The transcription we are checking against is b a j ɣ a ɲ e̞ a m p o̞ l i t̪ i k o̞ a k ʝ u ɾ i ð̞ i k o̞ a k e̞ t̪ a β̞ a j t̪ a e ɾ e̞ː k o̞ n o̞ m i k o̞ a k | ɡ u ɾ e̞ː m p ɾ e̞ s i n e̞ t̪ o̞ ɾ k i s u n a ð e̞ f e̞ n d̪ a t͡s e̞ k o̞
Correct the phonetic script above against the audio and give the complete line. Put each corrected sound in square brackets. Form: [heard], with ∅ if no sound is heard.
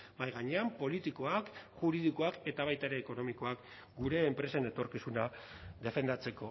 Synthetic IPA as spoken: b a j ɣ a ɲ e̞ a m p o̞ l i t̪ i k o̞ a k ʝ u ɾ i ð̞ i k o̞ a k e̞ t̪ a β̞ a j t̪ a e ɾ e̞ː k o̞ n o̞ m i k o̞ a k | ɡ u ɾ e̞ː m p ɾ e̞ s [e] n e̞ t̪ o̞ ɾ k i s u n a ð e̞ f e̞ n d̪ a t͡s e̞ k o̞